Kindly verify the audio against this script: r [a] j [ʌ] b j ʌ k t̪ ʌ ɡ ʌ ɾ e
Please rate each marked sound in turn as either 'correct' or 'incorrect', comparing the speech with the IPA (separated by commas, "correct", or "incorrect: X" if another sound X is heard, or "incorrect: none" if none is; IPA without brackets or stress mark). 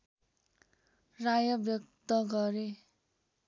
correct, correct